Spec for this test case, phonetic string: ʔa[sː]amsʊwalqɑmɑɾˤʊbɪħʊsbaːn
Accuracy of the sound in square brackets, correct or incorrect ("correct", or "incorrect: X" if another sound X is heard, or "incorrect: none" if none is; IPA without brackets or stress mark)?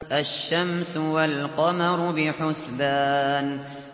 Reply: incorrect: ʃː